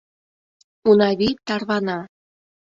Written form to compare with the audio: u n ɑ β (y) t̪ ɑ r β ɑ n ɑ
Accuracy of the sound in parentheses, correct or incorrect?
incorrect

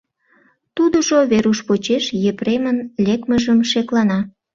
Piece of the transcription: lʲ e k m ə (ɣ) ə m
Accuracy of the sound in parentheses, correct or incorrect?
incorrect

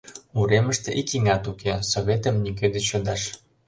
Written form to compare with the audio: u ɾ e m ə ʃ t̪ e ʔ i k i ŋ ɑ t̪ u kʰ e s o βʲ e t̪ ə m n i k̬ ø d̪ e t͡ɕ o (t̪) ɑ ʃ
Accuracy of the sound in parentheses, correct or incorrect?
incorrect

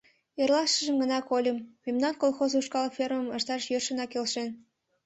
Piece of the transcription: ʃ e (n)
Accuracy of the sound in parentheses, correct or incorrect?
correct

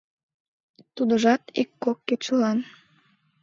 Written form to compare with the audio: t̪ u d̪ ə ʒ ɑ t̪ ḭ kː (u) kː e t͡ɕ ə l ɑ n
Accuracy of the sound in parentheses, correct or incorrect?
incorrect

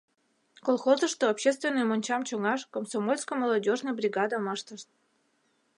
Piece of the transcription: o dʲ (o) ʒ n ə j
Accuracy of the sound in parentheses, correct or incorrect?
correct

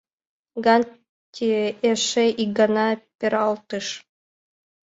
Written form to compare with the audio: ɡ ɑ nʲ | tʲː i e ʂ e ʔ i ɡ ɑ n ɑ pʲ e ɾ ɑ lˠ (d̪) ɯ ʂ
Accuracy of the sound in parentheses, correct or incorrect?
incorrect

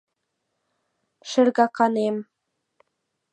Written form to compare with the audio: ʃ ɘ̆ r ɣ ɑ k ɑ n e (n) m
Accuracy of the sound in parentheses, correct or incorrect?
incorrect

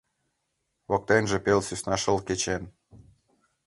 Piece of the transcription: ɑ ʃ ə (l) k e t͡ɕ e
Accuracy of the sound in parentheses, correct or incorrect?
correct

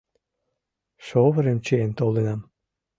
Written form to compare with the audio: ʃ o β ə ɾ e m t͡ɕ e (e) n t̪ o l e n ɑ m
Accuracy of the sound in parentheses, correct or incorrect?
correct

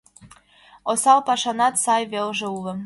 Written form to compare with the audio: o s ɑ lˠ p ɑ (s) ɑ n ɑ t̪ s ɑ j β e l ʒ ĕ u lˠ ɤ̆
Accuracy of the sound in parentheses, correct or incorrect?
incorrect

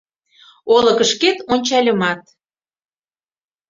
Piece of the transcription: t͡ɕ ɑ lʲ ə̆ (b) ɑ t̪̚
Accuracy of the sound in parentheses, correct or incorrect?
incorrect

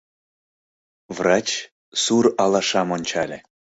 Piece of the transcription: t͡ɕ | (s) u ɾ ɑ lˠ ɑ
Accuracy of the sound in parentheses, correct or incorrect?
correct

